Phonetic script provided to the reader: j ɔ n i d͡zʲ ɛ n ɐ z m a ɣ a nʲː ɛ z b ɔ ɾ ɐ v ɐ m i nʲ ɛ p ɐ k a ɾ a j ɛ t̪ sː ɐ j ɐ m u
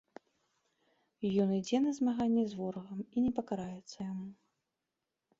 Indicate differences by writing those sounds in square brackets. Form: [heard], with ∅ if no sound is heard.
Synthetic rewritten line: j ɔ n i d͡zʲ ɛ n ɐ z m a ɣ a nʲː ɛ z [v] ɔ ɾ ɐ [ɣ] ɐ m i nʲ ɛ p ɐ k a ɾ a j ɛ t̪ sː ɐ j [a] m u